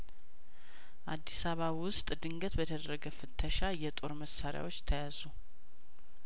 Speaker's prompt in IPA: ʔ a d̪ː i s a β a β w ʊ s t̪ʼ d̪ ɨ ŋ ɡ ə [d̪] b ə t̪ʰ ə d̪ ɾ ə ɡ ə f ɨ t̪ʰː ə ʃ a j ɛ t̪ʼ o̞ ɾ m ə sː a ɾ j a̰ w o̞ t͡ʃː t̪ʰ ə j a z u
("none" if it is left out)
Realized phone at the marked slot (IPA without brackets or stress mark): t̪